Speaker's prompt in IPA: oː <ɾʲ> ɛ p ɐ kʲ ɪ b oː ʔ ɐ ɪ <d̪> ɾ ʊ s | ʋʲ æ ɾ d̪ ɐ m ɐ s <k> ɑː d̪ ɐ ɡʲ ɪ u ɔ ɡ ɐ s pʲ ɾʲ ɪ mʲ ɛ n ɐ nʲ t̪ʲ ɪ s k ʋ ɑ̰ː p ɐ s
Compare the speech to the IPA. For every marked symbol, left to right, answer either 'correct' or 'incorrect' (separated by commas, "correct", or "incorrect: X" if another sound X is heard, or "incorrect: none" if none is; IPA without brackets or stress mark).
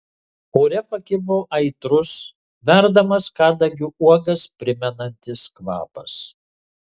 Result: correct, incorrect: t̪, correct